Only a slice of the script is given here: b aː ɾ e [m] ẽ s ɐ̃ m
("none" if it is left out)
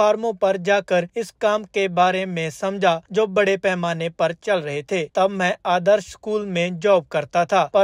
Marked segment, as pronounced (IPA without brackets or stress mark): m